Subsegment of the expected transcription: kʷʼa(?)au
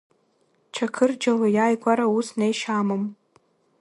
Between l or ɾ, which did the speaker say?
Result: ɾ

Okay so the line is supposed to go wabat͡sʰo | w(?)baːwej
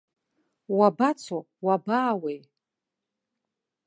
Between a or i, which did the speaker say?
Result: a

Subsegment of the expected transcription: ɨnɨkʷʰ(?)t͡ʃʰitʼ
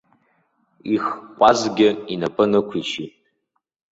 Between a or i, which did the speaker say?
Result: i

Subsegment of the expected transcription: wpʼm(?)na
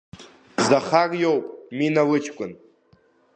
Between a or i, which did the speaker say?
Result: i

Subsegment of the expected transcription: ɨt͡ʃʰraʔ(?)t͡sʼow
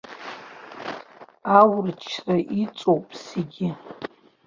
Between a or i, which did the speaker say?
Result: i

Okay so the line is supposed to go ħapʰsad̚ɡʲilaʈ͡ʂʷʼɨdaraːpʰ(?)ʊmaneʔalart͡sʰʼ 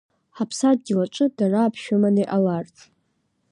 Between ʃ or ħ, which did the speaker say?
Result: ʃ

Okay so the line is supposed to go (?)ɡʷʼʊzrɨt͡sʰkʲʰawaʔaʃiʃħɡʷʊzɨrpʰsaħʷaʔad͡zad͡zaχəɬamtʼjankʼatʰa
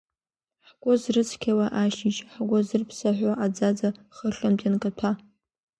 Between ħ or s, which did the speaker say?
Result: ħ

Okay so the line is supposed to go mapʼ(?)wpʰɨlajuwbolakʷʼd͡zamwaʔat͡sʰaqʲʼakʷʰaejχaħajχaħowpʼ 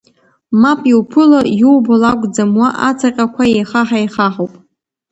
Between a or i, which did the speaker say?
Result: i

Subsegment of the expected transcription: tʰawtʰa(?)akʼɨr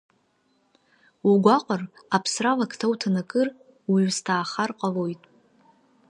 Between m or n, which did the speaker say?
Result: n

